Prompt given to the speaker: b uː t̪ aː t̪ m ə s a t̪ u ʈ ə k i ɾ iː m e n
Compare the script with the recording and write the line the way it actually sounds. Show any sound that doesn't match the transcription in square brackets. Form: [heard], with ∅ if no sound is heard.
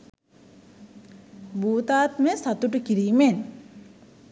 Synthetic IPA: b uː t̪ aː t̪ m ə s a t̪ u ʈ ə k i ɾ iː m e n

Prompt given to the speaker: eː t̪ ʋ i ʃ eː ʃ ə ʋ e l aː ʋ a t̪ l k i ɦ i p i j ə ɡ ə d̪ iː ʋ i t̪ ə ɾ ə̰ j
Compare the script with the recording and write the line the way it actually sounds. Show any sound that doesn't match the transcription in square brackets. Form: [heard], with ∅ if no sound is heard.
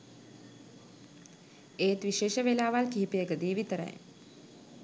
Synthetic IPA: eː t̪ ʋ i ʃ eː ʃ ə ʋ e l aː ʋ a [∅] l k i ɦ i p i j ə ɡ ə d̪ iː ʋ i t̪ ə ɾ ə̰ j

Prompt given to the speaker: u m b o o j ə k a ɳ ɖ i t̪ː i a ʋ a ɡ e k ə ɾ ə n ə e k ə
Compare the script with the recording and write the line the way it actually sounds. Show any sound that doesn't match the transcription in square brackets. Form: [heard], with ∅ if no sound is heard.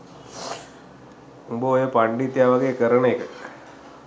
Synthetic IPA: u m b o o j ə [p] a ɳ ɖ i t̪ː [j] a ʋ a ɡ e k ə ɾ ə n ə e k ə

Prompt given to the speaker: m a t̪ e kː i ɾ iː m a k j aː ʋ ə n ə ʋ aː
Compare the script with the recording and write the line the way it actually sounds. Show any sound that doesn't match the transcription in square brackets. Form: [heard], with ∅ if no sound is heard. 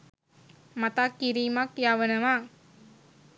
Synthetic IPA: m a t̪ [a] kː i ɾ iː m a k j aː ʋ ə n ə ʋ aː

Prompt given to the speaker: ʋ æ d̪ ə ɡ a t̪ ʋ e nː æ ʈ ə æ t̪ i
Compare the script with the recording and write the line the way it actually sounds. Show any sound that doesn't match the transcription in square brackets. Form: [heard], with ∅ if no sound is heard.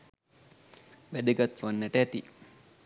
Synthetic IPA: ʋ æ d̪ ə ɡ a t̪ ʋ [a] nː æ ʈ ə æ t̪ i

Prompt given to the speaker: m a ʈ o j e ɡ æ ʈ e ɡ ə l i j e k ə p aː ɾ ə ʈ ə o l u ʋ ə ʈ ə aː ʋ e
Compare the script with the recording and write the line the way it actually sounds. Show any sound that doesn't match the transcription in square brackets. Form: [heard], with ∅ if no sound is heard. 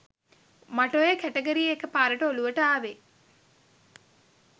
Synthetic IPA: m a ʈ o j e [k] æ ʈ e ɡ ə [ɾ] i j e k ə p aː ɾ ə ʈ ə o l u ʋ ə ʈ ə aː ʋ e

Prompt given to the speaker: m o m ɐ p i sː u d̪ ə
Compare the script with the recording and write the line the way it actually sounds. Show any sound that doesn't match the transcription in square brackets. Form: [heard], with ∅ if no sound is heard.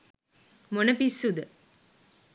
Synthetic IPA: m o [n] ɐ p i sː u d̪ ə

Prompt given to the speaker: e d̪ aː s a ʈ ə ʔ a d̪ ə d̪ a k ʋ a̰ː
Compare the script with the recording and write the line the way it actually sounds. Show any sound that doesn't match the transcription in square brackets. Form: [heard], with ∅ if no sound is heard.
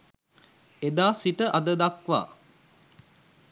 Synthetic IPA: e d̪ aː s [i] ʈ ə ʔ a d̪ ə d̪ a k ʋ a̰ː

